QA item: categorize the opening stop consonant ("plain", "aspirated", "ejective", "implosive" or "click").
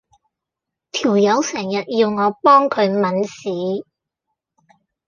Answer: aspirated